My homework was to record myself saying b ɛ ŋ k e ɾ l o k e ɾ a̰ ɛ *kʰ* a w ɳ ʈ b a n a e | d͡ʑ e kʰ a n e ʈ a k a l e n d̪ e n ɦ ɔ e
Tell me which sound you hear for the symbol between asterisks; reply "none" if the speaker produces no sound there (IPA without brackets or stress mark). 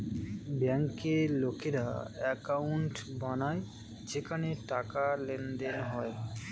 k